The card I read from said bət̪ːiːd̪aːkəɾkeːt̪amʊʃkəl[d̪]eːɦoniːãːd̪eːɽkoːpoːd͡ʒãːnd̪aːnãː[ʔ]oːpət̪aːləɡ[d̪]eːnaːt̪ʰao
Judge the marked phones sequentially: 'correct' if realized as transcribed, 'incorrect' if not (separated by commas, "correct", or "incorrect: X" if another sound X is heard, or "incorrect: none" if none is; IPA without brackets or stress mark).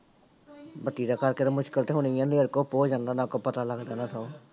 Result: incorrect: t̪, incorrect: k, correct